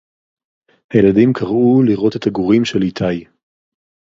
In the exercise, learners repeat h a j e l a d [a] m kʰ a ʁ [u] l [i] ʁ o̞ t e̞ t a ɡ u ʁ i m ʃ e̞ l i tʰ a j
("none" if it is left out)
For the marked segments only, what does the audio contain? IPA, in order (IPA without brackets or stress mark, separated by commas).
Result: i, u, i